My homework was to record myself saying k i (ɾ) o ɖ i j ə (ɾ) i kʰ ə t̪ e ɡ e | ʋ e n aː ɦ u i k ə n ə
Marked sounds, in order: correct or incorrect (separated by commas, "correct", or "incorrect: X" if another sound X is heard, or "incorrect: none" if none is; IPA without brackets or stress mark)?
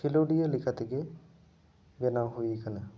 incorrect: l, incorrect: l